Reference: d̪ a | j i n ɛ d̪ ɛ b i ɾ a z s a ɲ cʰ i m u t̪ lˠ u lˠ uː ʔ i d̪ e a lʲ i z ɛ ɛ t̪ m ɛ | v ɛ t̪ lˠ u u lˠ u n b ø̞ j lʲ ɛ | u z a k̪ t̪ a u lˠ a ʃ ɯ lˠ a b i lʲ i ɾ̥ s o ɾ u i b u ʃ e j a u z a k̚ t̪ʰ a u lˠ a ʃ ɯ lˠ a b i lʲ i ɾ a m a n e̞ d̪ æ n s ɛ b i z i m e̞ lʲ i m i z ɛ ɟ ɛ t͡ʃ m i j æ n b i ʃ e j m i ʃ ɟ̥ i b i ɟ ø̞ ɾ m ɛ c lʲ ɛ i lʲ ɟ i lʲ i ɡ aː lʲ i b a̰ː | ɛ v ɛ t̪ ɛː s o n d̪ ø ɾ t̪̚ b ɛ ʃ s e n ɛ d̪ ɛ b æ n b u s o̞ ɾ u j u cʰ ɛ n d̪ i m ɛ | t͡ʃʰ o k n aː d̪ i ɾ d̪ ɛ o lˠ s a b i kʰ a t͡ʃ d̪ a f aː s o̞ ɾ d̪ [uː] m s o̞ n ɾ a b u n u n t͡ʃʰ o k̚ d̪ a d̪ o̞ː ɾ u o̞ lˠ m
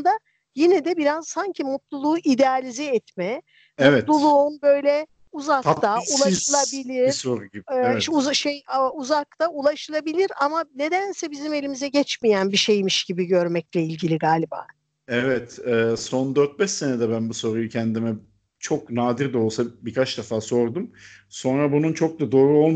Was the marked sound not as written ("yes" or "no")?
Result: yes